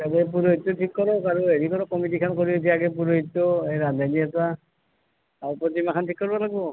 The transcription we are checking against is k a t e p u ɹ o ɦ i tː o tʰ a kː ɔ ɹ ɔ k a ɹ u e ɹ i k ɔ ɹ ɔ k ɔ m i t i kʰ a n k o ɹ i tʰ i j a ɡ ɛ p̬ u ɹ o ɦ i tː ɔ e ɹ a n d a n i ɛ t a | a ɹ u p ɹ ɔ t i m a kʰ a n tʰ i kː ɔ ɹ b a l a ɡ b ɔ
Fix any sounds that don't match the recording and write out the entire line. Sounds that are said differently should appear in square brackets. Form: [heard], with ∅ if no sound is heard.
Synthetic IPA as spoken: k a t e p u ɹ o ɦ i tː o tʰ [i] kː ɔ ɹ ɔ k a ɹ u e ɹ i k ɔ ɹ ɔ k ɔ m i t i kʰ a n k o ɹ i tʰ i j a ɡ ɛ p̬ u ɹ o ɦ i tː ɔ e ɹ a n d a n i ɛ t a | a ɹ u p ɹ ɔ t i m a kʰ a n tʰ i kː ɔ ɹ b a l a ɡ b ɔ